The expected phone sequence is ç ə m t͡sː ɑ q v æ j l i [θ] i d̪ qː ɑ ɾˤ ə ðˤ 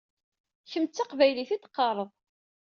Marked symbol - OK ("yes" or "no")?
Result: yes